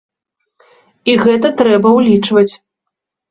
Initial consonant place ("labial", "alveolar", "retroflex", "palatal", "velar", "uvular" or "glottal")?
velar